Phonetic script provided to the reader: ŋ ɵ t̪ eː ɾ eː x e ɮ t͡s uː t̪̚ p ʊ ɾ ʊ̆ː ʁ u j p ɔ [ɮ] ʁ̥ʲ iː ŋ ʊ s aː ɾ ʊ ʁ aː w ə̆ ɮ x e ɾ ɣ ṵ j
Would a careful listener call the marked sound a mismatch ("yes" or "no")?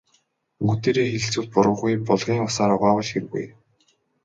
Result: no